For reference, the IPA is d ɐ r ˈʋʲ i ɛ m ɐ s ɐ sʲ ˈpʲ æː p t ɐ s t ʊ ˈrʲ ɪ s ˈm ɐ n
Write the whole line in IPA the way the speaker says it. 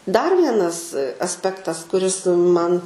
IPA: d ɐ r ˈʋʲ i ɛ n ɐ s ɐ sʲ ˈpʲ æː k t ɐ s k ʊ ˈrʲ ɪ s ˈm ɐ n